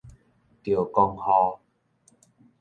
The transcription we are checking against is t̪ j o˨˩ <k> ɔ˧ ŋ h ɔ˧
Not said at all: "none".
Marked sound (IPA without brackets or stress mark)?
k